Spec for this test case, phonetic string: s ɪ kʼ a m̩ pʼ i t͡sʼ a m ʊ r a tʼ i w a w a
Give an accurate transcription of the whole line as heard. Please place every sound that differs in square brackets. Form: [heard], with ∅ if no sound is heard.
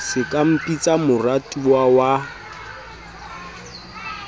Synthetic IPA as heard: s ɪ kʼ a m̩ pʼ i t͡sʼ a m ʊ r a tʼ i w a w a

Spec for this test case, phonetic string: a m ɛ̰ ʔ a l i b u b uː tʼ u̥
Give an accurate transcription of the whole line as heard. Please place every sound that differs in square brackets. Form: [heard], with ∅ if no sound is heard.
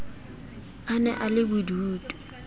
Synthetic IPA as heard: a [n] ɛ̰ ʔ a l [ɪ] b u [d] uː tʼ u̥

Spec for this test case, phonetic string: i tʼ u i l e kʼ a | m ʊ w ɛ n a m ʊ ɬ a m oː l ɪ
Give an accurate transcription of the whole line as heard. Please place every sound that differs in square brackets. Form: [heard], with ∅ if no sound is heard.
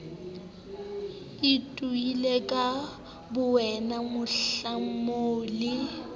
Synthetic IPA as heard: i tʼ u i l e kʼ a | [b] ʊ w ɛ n a m ʊ ɬ a m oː l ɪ

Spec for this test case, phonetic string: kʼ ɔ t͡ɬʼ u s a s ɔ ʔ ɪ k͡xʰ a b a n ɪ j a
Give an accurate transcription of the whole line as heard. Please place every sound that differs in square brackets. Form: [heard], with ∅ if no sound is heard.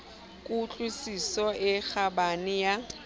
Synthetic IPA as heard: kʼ [u] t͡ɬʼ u s [i] s ɔ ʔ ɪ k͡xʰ a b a n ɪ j a

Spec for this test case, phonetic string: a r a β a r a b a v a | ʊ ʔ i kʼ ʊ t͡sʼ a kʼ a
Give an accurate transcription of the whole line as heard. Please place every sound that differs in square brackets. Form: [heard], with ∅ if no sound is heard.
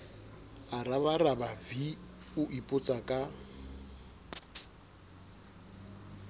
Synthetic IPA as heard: a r a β a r a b a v [i] | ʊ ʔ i [pʼ] ʊ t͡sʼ a kʼ a

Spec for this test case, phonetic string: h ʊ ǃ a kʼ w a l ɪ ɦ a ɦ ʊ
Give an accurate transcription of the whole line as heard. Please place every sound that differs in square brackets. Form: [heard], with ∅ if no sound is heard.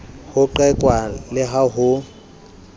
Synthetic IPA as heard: h ʊ ǃ [ɛ] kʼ w a l ɪ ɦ a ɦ ʊ

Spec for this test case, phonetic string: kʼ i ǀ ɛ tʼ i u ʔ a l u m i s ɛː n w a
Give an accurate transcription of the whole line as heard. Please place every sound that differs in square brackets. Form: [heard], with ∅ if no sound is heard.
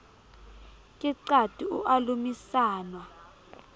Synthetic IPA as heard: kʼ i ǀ [a] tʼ i u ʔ a l u m i s [aː] n w a

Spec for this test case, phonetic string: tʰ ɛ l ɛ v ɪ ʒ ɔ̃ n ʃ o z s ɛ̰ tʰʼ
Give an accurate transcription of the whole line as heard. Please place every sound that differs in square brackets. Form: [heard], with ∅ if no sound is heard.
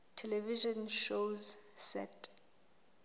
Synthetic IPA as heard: tʰ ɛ l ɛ v [i] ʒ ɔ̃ n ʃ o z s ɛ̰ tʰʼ

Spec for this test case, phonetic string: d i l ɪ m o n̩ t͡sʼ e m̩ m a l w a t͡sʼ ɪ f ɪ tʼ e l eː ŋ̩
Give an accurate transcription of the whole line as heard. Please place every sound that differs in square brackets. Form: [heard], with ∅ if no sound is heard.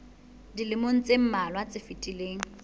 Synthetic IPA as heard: d i l ɪ m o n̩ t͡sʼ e m̩ m a l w a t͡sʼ ɪ f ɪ tʼ [i] l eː ŋ̩

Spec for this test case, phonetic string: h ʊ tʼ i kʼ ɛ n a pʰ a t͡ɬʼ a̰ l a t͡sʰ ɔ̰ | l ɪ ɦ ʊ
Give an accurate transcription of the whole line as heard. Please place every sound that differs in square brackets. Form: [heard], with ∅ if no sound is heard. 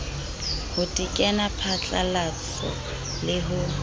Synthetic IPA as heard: h ʊ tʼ i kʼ ɛ n a pʰ a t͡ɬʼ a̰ l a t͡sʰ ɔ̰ | l ɪ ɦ ʊ

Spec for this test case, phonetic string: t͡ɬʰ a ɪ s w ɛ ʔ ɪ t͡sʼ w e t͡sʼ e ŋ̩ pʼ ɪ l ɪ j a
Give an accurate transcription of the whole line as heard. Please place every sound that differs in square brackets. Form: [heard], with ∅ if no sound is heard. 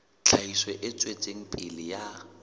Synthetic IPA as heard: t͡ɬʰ a [i] s w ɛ ʔ ɪ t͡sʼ w e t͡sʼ e ŋ̩ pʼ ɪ l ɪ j a

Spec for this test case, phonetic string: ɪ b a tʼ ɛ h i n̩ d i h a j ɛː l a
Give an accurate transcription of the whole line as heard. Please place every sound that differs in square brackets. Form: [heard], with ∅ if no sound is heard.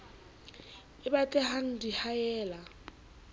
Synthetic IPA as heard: ɪ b a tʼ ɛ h [a] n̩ d i h a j ɛː l a

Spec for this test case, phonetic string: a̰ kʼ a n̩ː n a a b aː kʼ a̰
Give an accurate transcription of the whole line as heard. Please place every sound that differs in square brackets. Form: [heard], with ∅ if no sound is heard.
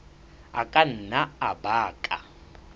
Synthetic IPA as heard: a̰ kʼ a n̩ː n a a b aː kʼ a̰

